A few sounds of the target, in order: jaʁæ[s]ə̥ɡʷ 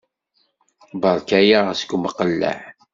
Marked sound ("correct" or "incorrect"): correct